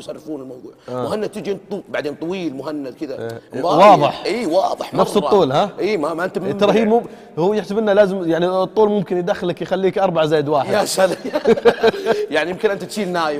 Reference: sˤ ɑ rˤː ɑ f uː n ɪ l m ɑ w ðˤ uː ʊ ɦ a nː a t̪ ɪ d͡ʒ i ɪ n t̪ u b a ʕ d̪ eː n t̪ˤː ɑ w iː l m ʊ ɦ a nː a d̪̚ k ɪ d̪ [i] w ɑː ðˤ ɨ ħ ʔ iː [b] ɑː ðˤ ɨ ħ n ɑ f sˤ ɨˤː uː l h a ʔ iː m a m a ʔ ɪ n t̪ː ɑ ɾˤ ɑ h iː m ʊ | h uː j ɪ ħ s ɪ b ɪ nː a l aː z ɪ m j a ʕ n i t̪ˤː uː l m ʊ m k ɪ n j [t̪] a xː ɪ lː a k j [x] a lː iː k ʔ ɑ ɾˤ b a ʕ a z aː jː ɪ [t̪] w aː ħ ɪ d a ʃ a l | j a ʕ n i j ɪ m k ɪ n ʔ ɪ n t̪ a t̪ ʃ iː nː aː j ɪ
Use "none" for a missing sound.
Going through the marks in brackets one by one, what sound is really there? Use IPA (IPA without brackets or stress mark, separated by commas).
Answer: a, w, d̪, x, d̪